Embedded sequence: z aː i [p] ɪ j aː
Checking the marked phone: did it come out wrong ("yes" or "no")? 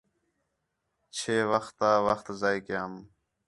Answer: yes